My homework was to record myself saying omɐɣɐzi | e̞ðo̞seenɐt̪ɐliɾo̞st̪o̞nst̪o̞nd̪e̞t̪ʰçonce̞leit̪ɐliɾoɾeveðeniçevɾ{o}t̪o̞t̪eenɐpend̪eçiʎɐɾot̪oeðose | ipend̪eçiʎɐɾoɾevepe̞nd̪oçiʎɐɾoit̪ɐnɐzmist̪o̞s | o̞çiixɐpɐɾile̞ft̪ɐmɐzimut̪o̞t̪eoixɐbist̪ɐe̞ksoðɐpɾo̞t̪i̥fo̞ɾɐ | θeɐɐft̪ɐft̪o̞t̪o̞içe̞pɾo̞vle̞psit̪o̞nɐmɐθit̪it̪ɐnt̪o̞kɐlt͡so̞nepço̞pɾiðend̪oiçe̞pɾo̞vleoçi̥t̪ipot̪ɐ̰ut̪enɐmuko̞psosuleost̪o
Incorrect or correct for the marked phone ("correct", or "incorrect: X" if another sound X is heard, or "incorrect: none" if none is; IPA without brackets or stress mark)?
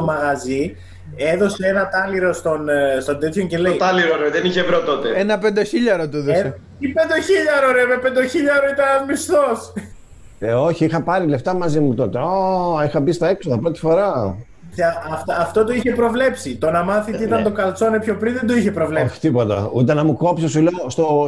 correct